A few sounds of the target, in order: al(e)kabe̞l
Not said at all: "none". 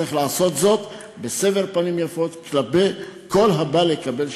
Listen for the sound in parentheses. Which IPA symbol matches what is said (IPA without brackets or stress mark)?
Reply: e